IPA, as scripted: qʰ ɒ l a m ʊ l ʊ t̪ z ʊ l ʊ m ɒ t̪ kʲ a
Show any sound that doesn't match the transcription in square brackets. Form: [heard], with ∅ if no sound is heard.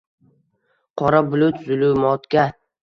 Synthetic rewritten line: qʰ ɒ [ɾ] a [b] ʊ l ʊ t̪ z ʊ l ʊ m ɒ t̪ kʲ a